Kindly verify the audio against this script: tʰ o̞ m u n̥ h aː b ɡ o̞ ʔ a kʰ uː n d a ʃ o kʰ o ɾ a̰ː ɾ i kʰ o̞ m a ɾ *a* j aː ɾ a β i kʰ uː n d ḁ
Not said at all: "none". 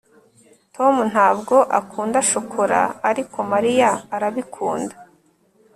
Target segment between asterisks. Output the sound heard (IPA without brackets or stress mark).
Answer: i